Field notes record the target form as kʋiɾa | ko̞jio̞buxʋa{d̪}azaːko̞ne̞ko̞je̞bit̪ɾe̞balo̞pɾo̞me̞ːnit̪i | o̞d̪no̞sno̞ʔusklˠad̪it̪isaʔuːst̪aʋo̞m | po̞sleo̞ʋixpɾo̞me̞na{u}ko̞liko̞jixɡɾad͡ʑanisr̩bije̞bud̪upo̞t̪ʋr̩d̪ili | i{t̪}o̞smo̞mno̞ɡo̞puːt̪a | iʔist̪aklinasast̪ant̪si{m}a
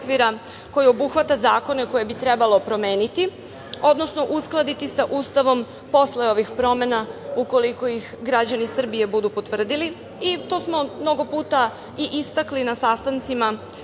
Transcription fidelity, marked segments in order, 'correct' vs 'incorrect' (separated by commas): incorrect, correct, correct, correct